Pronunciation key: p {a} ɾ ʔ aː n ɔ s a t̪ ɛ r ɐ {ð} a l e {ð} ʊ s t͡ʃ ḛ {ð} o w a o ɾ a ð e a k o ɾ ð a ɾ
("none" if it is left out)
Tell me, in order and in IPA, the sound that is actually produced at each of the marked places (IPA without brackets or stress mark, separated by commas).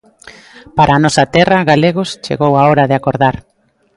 a, ɣ, ɣ, ɣ